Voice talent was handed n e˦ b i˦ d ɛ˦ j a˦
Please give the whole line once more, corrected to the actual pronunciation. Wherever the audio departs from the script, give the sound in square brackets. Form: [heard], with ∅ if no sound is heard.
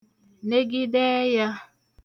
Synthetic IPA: n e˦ [ɡ] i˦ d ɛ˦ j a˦

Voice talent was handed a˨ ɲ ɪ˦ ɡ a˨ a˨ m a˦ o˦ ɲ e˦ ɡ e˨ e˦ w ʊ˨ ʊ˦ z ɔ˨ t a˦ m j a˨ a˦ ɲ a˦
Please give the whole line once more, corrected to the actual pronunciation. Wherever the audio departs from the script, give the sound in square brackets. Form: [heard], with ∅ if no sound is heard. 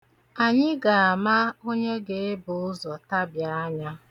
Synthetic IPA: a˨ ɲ ɪ˦ ɡ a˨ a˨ m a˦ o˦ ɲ e˦ ɡ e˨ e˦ [b] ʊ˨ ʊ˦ z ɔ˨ t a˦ [b] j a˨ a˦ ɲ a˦

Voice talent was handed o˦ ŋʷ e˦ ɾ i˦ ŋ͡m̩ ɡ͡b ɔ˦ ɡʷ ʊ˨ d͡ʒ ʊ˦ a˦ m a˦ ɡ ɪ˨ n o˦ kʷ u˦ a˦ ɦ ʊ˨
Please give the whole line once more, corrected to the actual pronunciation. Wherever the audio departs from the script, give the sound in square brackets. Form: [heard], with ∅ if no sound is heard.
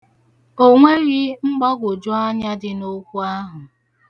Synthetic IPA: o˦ ŋʷ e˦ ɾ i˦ ŋ͡m̩ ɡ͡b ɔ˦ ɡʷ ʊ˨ d͡ʒ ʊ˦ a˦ [ɲ] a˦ [d] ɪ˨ n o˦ kʷ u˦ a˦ ɦ ʊ˨

